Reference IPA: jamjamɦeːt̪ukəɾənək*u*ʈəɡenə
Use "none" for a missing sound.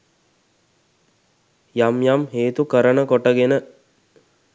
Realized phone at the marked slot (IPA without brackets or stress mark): o